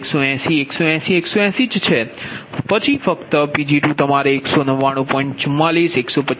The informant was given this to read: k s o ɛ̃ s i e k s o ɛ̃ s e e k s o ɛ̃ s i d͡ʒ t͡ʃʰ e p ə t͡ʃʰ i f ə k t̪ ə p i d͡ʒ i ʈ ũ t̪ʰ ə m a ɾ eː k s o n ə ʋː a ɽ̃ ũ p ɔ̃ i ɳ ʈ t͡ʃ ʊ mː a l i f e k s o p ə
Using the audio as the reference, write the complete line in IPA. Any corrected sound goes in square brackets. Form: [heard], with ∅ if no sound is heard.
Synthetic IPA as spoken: k s o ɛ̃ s i e k s o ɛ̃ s [i] e k s o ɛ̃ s i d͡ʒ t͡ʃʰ e p ə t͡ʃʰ i f ə k t̪ ə p i d͡ʒ i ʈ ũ [t̪] ə m a ɾ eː k s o n ə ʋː a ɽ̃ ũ p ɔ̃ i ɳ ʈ t͡ʃ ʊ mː a l i [s] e k s o p ə